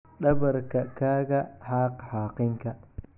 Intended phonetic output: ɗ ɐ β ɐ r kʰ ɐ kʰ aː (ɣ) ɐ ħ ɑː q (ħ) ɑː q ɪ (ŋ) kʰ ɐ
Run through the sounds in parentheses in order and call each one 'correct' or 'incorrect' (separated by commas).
correct, correct, correct